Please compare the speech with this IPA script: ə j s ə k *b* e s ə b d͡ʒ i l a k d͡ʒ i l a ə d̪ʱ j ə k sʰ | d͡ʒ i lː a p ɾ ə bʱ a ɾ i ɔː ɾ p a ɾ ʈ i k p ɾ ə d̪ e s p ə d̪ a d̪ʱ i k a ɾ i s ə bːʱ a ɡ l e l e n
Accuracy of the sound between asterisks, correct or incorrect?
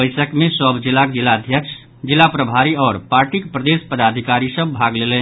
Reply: incorrect